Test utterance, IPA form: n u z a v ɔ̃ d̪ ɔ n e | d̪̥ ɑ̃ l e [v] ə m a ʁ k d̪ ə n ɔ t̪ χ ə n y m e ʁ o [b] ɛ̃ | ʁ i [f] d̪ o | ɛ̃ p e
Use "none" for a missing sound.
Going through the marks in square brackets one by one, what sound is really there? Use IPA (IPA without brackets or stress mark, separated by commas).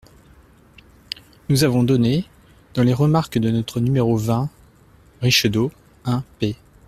ʁ, v, ʃ